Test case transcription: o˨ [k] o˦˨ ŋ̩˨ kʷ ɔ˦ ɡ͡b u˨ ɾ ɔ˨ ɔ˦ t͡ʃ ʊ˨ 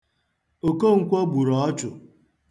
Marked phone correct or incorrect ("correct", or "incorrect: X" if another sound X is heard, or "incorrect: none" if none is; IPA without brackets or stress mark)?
correct